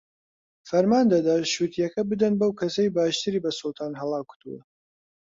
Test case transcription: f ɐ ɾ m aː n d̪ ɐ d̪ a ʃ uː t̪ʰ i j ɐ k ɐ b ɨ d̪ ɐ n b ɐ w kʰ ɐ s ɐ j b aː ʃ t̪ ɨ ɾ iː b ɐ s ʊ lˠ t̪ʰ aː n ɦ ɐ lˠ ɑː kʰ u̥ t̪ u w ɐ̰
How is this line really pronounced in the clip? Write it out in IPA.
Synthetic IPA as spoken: f ɐ ɾ m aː n d̪ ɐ d̪ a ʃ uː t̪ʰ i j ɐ k ɐ b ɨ d̪ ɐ n b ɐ w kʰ ɐ s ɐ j b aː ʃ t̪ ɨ ɾ iː b ɐ s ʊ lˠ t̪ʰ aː n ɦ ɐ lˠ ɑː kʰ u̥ t̪ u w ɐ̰